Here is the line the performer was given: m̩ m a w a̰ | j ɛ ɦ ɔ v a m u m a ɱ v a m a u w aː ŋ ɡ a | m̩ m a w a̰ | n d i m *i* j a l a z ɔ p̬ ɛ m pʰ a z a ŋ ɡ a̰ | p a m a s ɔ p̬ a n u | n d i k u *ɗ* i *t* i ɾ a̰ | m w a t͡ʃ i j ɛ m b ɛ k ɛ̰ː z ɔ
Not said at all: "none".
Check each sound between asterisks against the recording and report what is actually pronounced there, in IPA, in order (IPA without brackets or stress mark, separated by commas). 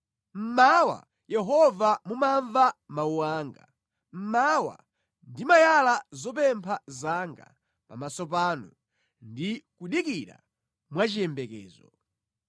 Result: a, ɗ, k